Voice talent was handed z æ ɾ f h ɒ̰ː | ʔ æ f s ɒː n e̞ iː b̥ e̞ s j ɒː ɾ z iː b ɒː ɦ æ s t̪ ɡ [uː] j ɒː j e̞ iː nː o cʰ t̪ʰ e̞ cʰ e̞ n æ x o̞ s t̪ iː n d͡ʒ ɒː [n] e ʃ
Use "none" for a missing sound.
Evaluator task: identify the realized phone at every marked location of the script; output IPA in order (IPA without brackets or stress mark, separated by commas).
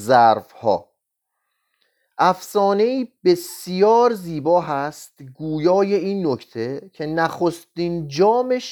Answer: uː, m